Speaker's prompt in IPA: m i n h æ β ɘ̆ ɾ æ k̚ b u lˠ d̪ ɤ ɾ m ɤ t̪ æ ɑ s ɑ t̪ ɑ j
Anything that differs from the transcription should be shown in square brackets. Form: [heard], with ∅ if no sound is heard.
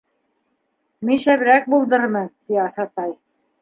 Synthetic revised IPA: m i n [ʃ] æ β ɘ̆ ɾ æ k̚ b u lˠ d̪ ɤ ɾ m ɤ t̪ [i] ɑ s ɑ t̪ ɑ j